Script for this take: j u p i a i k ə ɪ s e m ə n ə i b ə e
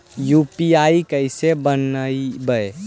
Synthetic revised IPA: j u p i a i k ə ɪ s e b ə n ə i b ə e

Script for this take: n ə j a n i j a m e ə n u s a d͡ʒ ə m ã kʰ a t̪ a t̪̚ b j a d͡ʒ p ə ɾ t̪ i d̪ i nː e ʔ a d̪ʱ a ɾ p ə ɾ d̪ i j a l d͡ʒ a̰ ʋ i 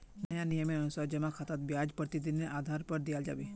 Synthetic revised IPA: n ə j a n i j ə m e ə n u s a d͡ʒ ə m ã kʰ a t̪ a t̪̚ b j a d͡ʒ p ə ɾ t̪ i d̪ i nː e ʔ a d̪ʱ a ɾ p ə ɾ d̪ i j a l d͡ʒ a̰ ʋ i

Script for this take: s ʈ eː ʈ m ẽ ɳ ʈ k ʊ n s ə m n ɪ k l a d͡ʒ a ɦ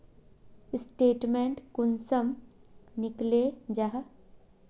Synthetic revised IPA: s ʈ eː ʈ m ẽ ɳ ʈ k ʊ n s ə m n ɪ k l e d͡ʒ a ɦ

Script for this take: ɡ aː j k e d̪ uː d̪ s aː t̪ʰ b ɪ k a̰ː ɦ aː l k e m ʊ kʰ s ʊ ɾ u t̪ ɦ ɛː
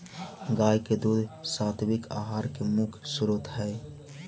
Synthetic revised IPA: ɡ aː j k e d̪ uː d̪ s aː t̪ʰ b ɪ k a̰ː ɦ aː ɾ k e m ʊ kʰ s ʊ ɾ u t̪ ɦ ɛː

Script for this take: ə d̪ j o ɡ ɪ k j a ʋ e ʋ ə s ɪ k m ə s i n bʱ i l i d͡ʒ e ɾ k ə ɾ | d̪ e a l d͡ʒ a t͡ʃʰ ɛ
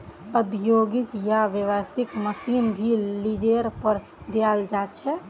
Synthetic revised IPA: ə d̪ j o ɡ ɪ k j a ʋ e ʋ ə s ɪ k m ə s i n bʱ i l i d͡ʒ e ɾ p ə ɾ | d̪ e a l d͡ʒ a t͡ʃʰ ɛ

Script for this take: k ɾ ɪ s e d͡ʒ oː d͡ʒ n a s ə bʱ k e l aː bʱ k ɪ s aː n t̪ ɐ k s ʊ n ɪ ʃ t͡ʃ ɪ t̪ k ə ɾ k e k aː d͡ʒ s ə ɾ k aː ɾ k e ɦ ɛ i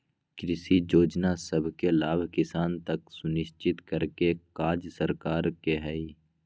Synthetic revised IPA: k ɾ ɪ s i d͡ʒ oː d͡ʒ n a s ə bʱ k e l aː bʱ k ɪ s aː n t̪ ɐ k s ʊ n ɪ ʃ t͡ʃ ɪ t̪ k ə ɾ k e k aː d͡ʒ s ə ɾ k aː ɾ k e ɦ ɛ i

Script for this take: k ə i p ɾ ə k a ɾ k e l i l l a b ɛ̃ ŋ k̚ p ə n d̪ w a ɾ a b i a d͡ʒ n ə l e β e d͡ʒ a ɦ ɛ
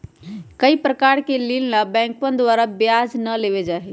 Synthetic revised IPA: k ə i p ɾ ə k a ɾ k e l i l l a b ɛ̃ ŋ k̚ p ə n d̪ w a ɾ a b j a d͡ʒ n ə l e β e d͡ʒ a ɦ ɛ

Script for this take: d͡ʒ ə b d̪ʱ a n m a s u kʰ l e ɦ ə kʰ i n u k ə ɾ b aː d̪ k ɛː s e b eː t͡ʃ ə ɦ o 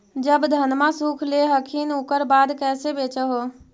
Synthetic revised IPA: d͡ʒ ə b d̪ʱ ə n m a s u kʰ l e ɦ ə kʰ i n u k ə ɾ b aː d̪ k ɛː s e b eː t͡ʃ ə ɦ o

